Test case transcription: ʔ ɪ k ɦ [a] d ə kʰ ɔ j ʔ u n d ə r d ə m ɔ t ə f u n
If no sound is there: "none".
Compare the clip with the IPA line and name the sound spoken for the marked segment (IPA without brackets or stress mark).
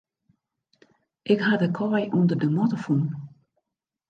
a